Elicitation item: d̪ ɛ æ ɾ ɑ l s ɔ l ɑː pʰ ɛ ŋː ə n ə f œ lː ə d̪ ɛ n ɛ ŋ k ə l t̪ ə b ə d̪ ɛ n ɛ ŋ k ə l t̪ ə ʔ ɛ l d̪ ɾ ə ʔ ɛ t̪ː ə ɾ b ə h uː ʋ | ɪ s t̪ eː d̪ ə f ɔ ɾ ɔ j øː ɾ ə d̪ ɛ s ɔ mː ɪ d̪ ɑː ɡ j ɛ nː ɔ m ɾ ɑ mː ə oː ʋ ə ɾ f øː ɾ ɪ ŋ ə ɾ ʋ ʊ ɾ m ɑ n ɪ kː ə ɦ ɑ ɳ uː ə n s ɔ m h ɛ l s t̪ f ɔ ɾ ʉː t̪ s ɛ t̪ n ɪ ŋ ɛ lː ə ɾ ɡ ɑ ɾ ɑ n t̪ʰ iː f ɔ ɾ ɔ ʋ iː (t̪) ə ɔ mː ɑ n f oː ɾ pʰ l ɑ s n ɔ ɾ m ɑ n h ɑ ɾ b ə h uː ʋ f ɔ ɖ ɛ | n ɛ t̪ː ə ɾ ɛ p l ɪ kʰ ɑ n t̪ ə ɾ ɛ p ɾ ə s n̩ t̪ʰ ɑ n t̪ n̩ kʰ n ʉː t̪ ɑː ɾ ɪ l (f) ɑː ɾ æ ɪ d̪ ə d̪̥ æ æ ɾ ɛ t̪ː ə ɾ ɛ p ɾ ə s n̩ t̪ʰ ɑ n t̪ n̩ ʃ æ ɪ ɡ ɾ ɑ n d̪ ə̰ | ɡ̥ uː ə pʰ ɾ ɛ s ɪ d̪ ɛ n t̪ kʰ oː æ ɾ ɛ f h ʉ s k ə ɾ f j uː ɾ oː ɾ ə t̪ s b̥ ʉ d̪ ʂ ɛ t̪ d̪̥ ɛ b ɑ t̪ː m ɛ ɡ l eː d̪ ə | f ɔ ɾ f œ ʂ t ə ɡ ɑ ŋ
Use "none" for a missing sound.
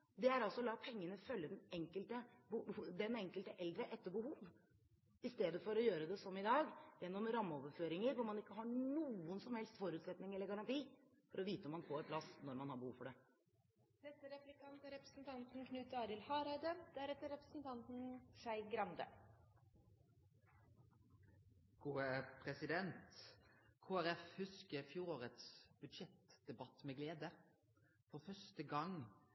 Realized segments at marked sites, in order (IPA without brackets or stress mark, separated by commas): t̪, h